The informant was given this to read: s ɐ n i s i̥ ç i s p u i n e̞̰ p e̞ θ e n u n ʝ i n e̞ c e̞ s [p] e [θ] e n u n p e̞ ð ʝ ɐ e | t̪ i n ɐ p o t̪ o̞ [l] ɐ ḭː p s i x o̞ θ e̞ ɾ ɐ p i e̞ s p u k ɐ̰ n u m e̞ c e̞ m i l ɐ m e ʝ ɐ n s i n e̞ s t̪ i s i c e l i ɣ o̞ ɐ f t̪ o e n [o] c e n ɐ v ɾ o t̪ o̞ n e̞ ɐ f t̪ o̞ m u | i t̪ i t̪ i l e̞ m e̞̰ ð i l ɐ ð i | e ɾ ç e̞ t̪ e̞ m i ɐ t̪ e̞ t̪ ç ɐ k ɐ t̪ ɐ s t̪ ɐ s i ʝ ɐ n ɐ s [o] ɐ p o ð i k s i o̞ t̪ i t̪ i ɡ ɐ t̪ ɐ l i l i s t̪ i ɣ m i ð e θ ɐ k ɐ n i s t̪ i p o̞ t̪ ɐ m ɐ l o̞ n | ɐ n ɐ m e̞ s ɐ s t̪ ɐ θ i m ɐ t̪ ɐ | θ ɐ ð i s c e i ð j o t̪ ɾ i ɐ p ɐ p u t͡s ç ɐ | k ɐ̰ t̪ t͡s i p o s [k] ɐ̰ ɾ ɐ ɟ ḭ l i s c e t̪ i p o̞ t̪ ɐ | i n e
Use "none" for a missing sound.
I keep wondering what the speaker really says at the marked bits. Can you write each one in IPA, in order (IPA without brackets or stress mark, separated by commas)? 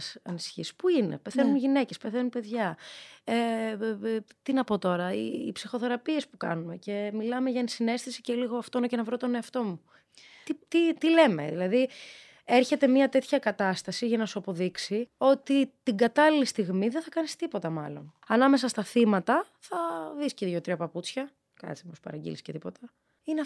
p, θ, ɾ, o, u, p